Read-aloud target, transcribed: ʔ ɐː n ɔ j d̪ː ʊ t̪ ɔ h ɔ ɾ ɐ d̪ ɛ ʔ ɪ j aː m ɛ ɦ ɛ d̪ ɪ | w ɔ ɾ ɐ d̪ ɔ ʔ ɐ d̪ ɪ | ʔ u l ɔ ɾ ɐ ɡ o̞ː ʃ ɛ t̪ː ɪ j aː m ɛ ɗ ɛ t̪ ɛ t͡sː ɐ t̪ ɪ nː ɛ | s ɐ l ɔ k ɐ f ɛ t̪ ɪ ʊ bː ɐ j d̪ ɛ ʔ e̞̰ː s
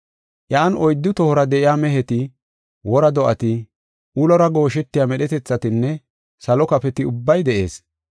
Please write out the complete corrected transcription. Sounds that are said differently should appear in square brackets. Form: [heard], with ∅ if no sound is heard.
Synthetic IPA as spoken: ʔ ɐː n ɔ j d̪ː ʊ t̪ ɔ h ɔ ɾ ɐ d̪ ɛ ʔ ɪ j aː m ɛ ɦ ɛ [t̪] ɪ | w ɔ ɾ ɐ d̪ ɔ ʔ ɐ [t̪] ɪ | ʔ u l ɔ ɾ ɐ ɡ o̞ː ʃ ɛ t̪ː ɪ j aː m ɛ ɗ ɛ t̪ ɛ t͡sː ɐ t̪ ɪ nː ɛ | s ɐ l ɔ k ɐ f ɛ t̪ ɪ ʊ bː ɐ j d̪ ɛ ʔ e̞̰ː s